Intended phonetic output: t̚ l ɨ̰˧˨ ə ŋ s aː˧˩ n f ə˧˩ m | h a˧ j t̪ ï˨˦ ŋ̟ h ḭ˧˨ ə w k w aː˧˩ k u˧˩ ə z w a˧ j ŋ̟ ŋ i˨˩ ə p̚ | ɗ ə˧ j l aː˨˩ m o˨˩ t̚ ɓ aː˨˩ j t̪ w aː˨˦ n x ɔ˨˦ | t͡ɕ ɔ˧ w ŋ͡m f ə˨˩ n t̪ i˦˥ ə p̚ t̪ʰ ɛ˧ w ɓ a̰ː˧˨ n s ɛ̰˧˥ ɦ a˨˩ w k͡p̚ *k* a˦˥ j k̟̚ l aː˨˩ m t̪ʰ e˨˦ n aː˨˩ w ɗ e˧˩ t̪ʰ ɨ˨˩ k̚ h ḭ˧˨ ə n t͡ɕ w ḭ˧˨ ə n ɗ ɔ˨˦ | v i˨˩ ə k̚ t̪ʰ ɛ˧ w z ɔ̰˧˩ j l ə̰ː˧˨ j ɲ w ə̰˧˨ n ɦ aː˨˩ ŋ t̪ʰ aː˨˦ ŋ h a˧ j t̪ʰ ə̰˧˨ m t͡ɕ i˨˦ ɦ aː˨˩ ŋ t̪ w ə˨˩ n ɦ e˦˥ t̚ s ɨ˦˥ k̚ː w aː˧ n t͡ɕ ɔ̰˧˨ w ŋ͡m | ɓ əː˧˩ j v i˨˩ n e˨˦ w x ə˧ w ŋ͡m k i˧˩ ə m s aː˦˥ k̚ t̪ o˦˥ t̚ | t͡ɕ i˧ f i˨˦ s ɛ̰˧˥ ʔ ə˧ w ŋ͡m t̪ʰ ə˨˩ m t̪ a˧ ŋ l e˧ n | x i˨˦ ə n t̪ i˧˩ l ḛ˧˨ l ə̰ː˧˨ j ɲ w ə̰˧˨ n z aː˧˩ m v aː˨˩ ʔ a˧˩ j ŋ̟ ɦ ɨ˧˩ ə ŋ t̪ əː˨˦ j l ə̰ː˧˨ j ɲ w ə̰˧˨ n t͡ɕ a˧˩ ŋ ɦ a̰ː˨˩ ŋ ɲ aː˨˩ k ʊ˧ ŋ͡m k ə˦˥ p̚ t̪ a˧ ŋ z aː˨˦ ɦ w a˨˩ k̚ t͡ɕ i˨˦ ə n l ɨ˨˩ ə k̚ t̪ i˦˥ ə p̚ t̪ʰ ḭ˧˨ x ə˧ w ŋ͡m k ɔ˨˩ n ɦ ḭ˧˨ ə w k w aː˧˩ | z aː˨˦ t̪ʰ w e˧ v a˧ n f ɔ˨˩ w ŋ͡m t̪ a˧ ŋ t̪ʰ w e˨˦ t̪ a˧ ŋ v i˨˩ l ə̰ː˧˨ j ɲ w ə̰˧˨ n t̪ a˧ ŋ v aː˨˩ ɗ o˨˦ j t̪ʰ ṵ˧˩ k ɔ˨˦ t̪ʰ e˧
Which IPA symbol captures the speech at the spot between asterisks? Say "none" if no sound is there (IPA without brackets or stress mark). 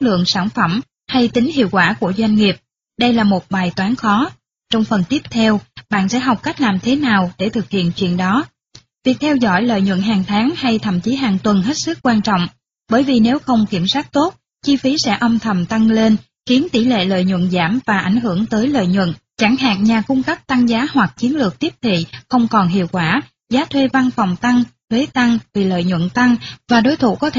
k